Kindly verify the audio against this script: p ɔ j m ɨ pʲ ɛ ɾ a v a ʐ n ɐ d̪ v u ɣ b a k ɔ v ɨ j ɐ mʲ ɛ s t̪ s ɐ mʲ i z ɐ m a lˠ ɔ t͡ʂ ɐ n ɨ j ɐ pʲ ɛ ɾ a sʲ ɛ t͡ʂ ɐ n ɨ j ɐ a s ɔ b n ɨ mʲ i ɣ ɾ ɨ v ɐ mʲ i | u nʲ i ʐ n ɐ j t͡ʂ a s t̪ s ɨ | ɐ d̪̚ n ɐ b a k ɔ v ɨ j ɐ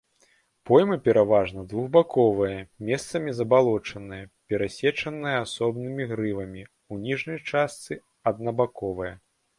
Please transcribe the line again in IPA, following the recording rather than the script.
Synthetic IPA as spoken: p ɔ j m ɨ pʲ ɛ ɾ a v a ʐ n ɐ d̪ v u ɣ b a k ɔ v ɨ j ɐ mʲ ɛ s t̪ s ɐ mʲ i z ɐ b a lˠ ɔ t͡ʂ ɐ n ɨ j ɐ pʲ ɛ ɾ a sʲ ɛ t͡ʂ ɐ n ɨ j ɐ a s ɔ b n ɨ mʲ i ɣ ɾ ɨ v ɐ mʲ i | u nʲ i ʐ n ɐ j t͡ʂ a s t̪ s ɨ | ɐ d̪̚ n ɐ b a k ɔ v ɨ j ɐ